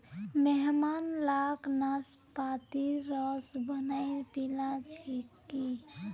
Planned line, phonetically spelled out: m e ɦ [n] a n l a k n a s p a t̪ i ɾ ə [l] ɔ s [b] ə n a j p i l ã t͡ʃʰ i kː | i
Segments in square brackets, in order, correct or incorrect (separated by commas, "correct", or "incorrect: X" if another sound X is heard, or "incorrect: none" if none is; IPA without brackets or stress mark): incorrect: m, incorrect: none, correct